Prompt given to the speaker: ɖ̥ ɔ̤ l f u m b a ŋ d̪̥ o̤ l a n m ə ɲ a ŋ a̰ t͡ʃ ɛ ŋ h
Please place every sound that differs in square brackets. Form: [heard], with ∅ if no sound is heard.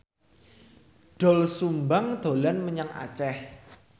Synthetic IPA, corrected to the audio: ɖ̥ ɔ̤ l [s] u m b a ŋ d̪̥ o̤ l a n m ə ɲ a ŋ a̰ t͡ʃ ɛ [∅] h